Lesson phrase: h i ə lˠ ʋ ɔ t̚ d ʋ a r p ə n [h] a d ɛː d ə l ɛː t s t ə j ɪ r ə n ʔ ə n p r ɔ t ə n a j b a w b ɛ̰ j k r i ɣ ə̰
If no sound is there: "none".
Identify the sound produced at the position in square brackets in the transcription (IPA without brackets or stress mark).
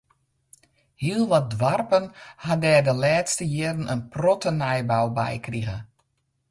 h